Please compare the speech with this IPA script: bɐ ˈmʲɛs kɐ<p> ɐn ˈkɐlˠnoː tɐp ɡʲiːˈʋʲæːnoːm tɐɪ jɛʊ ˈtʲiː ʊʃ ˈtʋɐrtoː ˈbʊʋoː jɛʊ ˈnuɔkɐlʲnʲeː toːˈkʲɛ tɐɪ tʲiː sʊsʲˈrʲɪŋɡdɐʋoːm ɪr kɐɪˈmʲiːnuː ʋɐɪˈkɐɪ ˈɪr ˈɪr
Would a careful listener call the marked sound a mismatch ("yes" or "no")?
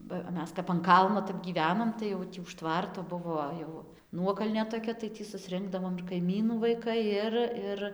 no